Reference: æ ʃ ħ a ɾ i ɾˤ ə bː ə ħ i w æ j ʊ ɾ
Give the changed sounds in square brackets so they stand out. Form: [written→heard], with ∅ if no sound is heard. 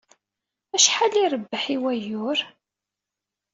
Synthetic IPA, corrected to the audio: æ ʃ ħ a [ɾ→l] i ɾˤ ə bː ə ħ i w æ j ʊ ɾ